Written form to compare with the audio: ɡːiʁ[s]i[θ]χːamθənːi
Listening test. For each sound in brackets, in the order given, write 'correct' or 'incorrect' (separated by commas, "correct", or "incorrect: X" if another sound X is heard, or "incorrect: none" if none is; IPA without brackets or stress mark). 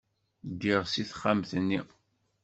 correct, correct